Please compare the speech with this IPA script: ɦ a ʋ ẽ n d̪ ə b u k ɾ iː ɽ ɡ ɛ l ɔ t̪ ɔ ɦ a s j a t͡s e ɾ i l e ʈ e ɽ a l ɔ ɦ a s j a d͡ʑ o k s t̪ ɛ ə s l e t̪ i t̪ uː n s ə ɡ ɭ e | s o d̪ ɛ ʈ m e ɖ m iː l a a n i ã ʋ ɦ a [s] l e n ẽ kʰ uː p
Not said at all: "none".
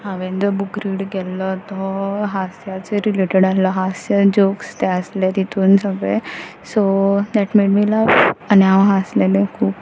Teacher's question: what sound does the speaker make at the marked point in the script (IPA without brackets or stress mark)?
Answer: s